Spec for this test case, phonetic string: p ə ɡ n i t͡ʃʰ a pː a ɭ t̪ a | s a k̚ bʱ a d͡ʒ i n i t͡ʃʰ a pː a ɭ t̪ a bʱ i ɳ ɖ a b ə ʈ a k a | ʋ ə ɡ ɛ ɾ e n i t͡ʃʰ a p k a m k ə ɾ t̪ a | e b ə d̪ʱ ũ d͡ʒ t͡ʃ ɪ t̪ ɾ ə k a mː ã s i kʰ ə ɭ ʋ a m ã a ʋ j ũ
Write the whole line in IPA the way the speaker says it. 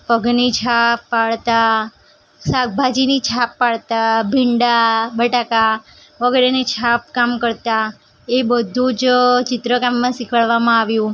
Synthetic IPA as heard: p ə ɡ n i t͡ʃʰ a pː a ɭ t̪ a | s a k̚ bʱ a d͡ʒ i n i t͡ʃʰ a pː a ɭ t̪ a bʱ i ɳ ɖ a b ə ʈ a k a | ʋ ə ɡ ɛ ɾ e n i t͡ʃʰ a p k a m k ə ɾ t̪ a | e b ə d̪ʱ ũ d͡ʒ t͡ʃ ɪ t̪ ɾ ə k a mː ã s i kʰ ə ɭ ʋ a m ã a ʋ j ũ